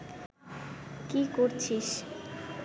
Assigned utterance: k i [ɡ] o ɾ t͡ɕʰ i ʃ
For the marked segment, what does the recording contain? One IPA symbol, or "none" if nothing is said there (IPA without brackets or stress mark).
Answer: k